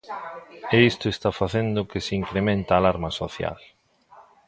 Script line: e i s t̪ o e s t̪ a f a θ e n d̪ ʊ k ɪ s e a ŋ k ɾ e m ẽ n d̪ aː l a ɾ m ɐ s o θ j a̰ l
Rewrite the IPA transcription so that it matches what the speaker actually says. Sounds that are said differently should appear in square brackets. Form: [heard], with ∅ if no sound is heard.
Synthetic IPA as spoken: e i s t̪ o e s t̪ a f a θ e n d̪ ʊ k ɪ s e [i] ŋ k ɾ e m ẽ n [t̪] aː l a ɾ m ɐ s o θ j a̰ l